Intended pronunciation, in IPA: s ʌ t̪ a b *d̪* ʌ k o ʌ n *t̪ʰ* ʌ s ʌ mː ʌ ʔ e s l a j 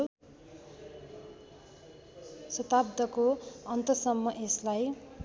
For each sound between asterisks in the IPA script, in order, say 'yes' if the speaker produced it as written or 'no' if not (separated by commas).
yes, no